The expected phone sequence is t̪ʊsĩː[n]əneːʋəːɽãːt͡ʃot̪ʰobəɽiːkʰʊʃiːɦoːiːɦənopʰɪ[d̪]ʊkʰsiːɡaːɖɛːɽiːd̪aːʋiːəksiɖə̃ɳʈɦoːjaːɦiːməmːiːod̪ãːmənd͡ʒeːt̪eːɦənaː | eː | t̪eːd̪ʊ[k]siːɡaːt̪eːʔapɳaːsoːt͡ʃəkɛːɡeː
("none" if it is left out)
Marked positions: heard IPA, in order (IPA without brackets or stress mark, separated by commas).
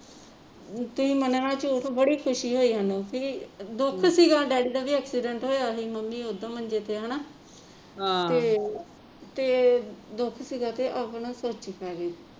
m, d̪, kʰ